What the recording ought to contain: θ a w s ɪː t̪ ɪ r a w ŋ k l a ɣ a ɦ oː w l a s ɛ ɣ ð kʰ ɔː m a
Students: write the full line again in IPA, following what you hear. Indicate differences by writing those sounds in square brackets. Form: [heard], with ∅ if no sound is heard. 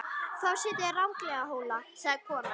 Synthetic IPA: θ a w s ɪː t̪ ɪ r a w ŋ k l [ɛ] ɣ a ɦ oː w l a s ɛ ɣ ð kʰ ɔː [n] a